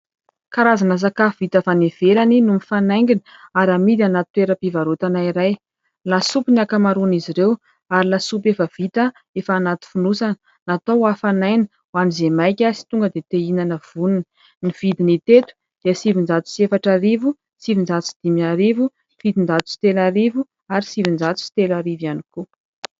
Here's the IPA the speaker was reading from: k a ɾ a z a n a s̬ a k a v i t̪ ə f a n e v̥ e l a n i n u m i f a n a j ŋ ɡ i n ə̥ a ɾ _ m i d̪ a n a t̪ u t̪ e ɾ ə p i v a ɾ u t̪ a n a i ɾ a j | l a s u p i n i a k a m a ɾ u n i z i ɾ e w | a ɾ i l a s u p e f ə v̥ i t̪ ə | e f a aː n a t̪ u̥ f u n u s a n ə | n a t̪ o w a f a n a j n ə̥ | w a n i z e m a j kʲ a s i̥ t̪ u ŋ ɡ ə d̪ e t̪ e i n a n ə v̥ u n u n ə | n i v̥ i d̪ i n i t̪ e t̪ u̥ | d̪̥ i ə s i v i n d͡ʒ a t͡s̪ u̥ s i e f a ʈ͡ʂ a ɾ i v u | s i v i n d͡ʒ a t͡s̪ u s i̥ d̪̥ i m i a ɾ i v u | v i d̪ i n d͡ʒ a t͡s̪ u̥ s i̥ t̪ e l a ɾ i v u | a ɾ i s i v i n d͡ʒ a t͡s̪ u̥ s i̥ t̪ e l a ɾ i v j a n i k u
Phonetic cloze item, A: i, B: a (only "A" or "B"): B